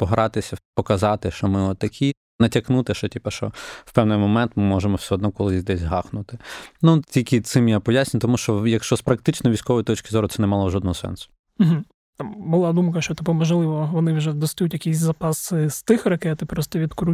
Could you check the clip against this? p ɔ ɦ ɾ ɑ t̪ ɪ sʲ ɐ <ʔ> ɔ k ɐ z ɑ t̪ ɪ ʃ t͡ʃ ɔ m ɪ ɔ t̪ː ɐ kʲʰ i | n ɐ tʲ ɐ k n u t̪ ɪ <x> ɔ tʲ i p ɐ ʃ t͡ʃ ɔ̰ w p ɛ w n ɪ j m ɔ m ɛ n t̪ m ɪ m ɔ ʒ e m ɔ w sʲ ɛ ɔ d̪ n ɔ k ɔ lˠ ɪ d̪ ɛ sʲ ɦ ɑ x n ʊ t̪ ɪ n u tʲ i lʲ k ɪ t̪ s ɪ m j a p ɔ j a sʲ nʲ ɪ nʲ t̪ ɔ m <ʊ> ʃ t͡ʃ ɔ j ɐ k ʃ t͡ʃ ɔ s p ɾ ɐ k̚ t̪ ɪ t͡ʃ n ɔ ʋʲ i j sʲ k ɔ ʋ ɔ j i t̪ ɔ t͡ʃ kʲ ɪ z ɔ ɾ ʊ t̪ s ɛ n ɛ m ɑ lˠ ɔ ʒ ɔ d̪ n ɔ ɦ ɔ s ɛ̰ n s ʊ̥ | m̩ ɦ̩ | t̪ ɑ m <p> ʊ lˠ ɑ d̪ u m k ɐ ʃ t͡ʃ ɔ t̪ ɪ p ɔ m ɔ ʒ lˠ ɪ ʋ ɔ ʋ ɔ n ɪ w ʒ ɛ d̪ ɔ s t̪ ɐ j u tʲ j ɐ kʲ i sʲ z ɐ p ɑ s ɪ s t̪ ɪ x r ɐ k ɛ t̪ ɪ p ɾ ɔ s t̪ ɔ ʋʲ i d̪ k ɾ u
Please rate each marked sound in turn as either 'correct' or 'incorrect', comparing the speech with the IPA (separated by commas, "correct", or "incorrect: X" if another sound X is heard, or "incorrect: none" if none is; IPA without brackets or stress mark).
incorrect: p, incorrect: ʃ, incorrect: u, incorrect: b